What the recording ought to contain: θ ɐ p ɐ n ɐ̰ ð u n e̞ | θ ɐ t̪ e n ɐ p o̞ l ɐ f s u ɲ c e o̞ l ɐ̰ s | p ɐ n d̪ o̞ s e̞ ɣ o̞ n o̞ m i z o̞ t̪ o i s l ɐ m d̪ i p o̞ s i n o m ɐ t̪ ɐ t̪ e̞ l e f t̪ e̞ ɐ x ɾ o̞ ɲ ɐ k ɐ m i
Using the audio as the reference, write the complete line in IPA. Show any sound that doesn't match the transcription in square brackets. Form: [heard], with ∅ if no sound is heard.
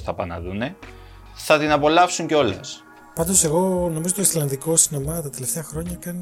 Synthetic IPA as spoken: θ ɐ p ɐ n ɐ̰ ð u n e̞ | θ ɐ t̪ [i] n ɐ p o̞ l ɐ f s u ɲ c e o̞ l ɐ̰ s | p ɐ n d̪ o̞ s e̞ ɣ o̞ n o̞ m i z o̞ t̪ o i s l ɐ [n] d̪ i [k] o̞ s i n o m ɐ t̪ ɐ t̪ e̞ l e f t̪ e̞ ɐ x ɾ o̞ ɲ ɐ k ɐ [n] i